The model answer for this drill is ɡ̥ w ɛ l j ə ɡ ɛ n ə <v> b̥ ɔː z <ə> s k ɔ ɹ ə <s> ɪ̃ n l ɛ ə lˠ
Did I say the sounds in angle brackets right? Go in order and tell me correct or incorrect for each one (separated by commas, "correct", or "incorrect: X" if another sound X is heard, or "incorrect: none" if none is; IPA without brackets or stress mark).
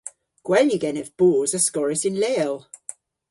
correct, correct, correct